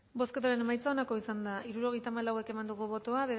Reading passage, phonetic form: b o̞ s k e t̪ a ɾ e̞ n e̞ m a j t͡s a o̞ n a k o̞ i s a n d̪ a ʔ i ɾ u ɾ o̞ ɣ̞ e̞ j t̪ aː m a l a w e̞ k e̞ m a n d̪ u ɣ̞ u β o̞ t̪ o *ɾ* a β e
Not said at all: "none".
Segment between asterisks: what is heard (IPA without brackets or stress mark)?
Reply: none